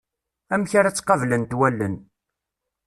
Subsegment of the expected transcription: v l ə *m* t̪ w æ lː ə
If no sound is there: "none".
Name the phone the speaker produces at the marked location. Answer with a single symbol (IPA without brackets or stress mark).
n